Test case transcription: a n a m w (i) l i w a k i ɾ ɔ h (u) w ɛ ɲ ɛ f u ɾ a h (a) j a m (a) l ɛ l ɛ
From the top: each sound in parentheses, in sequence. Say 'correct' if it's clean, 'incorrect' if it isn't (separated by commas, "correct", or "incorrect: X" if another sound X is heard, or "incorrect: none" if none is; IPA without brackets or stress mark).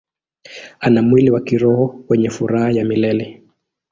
correct, incorrect: ɔ, correct, incorrect: i